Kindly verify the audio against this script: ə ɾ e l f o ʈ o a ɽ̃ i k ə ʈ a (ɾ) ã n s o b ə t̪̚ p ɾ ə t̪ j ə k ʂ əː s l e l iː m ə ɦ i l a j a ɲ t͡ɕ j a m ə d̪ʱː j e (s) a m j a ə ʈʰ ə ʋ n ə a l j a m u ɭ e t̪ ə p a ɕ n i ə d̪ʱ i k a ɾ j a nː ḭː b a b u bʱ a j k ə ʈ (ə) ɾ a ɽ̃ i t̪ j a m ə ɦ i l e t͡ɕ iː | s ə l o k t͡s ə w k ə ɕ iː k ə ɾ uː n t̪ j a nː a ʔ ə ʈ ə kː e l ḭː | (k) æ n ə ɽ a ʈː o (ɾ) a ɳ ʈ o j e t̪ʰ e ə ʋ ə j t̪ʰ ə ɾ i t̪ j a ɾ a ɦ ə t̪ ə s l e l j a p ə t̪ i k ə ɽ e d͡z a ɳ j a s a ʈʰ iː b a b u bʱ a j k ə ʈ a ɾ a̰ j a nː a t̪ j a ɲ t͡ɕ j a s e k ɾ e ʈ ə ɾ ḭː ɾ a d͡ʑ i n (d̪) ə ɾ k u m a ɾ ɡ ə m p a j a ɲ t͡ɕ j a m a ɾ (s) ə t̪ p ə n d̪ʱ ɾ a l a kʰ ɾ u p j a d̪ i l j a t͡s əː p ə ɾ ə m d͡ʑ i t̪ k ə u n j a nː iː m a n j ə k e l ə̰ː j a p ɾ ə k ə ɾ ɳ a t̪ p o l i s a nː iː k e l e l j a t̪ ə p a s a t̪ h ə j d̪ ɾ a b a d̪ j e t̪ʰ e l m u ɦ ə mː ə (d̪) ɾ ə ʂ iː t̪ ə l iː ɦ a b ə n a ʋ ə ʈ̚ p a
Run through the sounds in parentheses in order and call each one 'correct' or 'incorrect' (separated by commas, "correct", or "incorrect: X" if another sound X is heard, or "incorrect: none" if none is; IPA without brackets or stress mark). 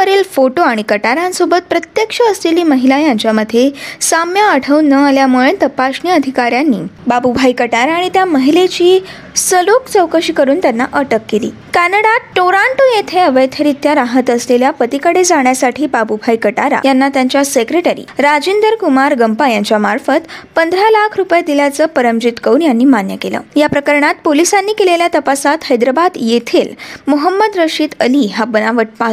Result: correct, correct, incorrect: a, correct, correct, correct, incorrect: f, correct